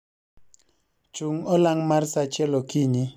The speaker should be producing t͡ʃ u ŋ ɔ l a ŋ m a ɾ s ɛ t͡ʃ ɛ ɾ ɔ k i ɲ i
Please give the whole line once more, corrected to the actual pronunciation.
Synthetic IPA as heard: t͡ʃ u ŋ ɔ l a ŋ m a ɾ s a t͡ʃ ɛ l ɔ k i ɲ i

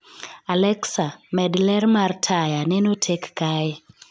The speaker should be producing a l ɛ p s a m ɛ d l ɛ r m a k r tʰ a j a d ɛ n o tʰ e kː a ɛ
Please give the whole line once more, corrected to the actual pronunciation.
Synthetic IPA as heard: a l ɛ k s a m ɛ d l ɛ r m a r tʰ a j a n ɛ n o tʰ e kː a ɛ

